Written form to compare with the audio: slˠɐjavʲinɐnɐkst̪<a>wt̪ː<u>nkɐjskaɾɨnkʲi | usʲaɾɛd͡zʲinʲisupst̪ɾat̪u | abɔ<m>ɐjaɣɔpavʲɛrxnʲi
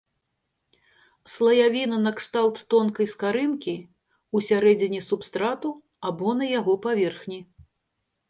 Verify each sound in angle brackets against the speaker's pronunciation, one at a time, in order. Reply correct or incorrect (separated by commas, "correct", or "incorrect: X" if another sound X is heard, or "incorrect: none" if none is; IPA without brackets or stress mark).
correct, incorrect: ɔ, incorrect: n